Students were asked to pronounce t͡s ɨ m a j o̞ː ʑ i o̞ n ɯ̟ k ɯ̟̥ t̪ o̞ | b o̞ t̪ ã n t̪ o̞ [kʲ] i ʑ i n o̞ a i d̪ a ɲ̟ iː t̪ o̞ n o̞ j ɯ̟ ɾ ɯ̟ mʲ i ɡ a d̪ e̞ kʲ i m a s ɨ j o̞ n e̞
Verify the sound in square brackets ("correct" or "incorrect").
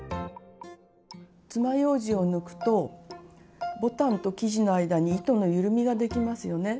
correct